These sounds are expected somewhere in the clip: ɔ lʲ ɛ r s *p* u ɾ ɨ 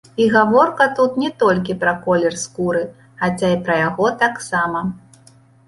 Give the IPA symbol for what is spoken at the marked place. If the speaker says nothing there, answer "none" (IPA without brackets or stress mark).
k